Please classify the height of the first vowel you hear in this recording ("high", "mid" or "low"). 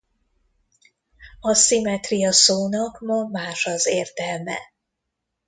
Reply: low